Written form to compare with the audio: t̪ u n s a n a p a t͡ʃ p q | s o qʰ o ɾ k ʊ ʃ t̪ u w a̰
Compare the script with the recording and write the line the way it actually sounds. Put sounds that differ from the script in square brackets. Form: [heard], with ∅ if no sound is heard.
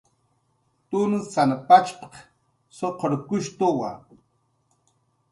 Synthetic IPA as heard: t̪ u n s a n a p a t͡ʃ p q | s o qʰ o ɾ k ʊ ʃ t̪ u w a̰